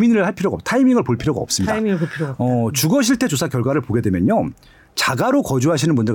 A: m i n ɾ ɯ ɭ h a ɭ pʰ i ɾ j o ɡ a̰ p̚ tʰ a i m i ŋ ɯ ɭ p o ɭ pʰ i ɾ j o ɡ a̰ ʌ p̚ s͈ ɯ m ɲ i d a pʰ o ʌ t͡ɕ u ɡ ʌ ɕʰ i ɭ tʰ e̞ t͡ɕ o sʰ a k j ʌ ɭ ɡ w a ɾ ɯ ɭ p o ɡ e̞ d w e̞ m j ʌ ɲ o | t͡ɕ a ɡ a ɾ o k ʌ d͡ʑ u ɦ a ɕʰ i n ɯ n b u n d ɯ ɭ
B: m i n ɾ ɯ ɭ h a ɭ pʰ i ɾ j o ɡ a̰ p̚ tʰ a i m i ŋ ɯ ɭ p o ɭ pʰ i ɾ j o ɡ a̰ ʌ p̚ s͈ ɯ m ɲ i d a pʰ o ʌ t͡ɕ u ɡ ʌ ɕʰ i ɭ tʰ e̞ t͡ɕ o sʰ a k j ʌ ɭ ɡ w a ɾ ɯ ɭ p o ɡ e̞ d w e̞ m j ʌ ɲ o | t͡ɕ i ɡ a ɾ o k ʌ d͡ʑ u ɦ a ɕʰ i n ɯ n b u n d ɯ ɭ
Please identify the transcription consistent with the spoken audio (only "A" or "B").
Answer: A